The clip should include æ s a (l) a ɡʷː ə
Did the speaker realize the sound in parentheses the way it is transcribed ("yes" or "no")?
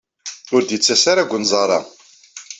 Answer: no